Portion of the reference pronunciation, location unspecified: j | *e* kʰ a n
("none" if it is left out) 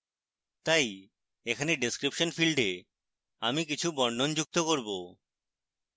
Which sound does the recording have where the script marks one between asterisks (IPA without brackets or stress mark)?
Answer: e